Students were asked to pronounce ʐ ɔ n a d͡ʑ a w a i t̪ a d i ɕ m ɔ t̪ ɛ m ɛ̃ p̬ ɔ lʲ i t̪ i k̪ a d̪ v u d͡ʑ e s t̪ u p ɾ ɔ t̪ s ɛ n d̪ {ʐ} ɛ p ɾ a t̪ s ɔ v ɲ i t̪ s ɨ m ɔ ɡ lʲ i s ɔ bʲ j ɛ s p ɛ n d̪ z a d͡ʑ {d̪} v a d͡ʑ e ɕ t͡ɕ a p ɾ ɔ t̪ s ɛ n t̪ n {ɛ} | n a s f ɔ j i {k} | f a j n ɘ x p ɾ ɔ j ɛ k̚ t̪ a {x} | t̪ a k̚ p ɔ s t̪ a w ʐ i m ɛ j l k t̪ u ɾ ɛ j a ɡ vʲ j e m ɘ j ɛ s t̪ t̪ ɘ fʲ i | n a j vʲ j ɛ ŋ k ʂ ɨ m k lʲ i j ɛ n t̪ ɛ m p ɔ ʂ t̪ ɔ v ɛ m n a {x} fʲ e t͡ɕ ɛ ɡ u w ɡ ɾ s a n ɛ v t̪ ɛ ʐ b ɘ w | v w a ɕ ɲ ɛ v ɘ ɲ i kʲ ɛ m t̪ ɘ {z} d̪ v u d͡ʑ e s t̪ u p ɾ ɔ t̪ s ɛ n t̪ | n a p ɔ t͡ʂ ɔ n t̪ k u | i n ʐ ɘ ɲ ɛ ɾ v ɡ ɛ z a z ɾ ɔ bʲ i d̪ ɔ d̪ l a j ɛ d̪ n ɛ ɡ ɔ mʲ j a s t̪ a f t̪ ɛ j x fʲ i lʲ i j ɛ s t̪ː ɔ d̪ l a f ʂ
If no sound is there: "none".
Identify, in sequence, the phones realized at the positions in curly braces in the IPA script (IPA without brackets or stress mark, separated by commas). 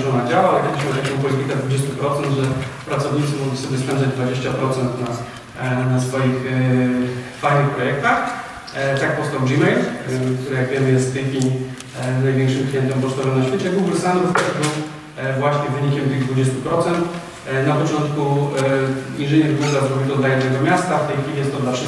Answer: ʐ, d̪, a, x, x, ɕ, ɣ